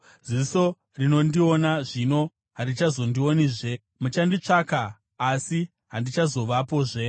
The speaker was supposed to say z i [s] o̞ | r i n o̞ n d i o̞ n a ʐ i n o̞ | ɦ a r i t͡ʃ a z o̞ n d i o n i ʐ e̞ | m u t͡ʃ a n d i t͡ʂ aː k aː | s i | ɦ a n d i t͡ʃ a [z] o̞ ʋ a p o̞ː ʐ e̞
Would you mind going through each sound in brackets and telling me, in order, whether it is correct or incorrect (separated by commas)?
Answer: correct, correct